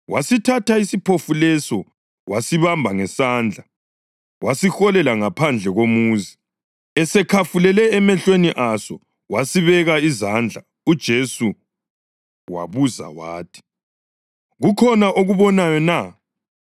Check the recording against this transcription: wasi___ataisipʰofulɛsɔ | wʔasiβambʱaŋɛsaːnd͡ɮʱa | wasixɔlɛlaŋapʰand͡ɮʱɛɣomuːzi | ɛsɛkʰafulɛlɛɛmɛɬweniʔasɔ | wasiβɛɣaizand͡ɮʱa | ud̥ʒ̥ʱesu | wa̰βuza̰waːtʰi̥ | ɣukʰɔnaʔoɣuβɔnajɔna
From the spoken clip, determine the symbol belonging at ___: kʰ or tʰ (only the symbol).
tʰ